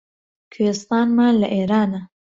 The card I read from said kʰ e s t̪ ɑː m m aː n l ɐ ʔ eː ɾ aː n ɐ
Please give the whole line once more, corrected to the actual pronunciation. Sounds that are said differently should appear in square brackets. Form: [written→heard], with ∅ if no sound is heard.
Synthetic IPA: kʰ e s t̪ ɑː [m→n] m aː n l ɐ ʔ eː ɾ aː n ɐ